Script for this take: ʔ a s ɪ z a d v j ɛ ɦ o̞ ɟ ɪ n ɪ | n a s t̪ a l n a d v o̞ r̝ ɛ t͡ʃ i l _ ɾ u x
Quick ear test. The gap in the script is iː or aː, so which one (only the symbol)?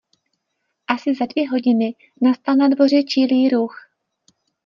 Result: iː